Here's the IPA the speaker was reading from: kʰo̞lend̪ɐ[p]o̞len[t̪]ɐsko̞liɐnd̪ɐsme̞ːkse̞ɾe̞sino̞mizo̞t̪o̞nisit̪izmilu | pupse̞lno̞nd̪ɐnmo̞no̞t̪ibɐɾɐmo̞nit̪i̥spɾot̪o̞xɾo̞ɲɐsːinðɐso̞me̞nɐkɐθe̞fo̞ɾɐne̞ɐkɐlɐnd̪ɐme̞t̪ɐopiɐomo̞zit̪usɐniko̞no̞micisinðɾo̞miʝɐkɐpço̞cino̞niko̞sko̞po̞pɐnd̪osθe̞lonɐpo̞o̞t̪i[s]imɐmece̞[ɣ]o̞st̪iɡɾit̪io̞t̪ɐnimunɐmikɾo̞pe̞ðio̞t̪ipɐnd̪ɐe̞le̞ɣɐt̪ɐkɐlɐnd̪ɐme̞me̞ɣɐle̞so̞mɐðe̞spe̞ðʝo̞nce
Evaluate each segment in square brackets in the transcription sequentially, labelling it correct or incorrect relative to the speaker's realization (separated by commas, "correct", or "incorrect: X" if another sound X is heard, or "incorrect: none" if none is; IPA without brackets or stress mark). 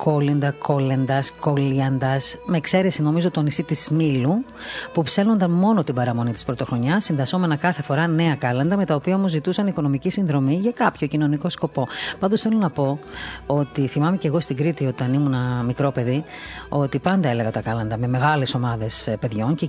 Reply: incorrect: k, incorrect: d̪, incorrect: θ, correct